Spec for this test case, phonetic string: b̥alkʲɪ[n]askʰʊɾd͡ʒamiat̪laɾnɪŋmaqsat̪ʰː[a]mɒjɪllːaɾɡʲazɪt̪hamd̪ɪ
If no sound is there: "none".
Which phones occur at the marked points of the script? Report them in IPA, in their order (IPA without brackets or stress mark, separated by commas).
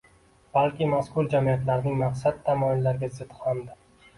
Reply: m, a